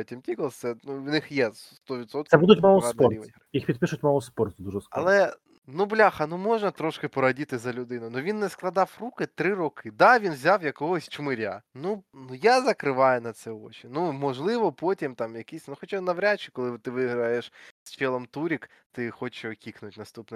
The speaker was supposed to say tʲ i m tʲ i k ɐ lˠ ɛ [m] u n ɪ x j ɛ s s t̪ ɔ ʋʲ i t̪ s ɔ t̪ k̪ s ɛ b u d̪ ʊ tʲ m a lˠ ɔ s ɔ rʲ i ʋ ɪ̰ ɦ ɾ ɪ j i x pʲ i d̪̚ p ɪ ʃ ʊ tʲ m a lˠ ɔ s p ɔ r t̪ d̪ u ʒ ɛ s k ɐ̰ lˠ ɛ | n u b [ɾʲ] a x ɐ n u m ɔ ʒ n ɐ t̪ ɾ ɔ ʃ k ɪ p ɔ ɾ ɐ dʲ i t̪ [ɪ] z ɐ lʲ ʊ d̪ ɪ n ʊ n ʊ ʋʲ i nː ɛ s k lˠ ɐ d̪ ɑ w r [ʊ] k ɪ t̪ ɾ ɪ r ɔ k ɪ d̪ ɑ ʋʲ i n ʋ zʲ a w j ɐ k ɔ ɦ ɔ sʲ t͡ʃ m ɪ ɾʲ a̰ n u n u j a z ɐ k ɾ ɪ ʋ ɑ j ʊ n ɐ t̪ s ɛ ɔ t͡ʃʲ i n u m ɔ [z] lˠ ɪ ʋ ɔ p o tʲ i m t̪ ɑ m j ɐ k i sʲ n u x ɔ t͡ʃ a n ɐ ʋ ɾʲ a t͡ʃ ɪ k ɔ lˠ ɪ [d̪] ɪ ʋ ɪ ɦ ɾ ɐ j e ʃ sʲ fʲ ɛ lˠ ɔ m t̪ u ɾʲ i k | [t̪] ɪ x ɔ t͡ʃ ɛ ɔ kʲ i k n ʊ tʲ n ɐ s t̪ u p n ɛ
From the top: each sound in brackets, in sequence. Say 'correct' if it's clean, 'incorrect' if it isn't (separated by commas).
incorrect, incorrect, correct, incorrect, incorrect, incorrect, correct